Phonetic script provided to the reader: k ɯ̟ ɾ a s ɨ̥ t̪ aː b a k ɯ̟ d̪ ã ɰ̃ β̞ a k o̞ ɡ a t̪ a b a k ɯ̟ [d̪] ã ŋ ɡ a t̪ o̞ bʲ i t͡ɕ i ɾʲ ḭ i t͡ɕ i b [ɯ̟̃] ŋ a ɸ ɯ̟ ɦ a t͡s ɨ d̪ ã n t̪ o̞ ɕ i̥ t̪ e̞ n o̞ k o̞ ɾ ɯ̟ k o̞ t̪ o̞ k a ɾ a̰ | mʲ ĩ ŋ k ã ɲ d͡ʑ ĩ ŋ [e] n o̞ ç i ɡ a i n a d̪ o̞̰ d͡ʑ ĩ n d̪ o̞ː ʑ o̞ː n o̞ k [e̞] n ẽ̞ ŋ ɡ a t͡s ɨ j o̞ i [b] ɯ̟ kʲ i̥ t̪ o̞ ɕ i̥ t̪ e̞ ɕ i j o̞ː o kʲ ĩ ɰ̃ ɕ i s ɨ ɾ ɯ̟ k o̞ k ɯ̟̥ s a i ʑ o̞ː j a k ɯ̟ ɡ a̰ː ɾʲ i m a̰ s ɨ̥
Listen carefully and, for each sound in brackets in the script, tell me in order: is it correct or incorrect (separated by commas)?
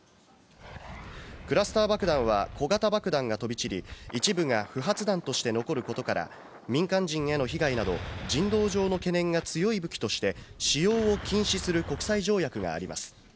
correct, incorrect, correct, correct, correct